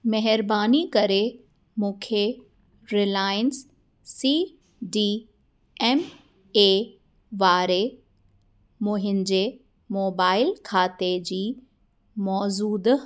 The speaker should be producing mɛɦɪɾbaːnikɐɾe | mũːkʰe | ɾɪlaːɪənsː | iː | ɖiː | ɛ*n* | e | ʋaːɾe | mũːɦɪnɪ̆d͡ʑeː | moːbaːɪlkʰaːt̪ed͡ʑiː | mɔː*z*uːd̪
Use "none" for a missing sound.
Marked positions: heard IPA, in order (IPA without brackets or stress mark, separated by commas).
m, z